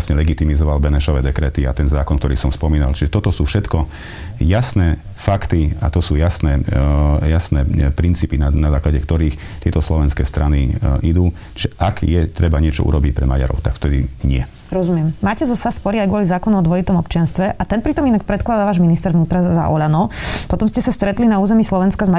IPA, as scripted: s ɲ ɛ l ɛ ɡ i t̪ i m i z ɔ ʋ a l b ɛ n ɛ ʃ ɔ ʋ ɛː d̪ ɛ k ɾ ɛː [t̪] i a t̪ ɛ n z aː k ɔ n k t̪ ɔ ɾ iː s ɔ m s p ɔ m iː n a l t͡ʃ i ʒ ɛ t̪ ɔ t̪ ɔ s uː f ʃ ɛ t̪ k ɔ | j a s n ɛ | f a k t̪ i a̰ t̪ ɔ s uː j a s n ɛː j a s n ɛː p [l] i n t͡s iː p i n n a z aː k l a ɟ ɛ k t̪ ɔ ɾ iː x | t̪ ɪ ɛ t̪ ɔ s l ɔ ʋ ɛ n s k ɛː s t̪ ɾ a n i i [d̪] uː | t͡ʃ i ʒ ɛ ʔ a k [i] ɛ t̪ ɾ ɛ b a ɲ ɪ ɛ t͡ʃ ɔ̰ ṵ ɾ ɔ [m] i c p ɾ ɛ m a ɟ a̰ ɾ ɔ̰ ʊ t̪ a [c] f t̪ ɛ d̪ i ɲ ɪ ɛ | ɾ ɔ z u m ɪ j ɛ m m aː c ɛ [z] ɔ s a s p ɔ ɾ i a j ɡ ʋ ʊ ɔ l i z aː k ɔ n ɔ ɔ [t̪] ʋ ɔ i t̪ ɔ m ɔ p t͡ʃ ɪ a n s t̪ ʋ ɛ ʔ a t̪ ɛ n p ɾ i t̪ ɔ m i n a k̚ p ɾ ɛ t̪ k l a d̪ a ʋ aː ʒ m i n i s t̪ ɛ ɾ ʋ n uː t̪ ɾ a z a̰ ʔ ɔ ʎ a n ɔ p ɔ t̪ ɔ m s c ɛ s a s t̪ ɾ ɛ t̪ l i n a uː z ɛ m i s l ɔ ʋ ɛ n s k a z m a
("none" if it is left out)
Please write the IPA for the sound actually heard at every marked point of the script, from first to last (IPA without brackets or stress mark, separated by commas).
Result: t̪, ɾ, d̪, j, b, k, z, d̪